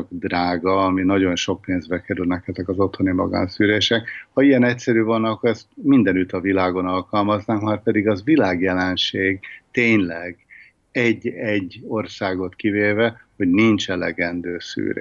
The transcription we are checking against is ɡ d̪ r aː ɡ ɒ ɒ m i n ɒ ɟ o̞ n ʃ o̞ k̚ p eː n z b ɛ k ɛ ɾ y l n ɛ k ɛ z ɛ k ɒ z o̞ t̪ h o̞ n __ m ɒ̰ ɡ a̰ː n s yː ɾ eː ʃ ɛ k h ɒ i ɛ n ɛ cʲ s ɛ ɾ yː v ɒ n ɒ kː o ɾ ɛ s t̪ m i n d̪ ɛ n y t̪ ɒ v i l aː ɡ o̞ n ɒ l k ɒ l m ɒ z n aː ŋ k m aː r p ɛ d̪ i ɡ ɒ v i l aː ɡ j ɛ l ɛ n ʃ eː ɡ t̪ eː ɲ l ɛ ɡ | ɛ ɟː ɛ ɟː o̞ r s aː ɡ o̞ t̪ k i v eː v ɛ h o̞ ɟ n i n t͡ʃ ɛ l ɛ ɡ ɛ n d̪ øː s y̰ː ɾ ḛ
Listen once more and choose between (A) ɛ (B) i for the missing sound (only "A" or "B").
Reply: B